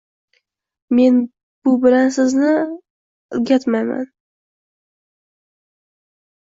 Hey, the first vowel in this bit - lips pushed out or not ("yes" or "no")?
no